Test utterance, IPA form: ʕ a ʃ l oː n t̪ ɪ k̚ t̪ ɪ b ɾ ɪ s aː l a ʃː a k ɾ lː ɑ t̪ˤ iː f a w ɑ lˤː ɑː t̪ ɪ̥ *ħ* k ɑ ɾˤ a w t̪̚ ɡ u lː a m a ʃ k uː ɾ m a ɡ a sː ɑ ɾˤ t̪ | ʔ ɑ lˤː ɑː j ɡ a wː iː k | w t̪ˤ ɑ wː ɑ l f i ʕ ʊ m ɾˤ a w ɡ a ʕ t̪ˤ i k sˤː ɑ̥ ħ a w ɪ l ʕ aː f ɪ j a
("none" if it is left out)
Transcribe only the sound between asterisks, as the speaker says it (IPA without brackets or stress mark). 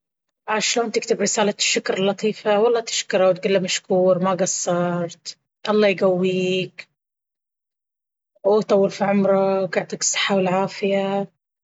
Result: ʃ